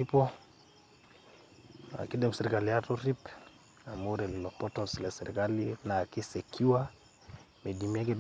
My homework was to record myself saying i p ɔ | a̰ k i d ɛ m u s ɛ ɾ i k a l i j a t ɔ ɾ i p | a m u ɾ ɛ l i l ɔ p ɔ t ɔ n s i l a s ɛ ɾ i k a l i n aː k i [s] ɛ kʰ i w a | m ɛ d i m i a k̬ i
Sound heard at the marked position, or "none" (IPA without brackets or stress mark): s